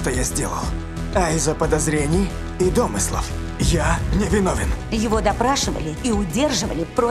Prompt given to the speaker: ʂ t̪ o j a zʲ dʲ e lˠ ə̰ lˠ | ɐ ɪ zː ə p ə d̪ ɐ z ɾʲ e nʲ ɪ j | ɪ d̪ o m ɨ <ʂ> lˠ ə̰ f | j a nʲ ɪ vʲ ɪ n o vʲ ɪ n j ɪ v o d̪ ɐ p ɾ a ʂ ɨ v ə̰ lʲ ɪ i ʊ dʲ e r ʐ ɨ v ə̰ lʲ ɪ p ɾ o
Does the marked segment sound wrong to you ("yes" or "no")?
yes